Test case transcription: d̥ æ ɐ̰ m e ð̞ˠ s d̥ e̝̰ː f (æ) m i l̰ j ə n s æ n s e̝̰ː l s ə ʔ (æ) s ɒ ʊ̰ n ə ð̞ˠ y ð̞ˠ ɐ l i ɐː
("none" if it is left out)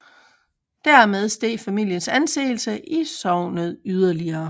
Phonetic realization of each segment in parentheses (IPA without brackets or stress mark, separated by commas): æ, i